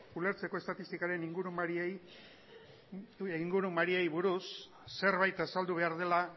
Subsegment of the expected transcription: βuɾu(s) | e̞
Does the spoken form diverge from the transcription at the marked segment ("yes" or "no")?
yes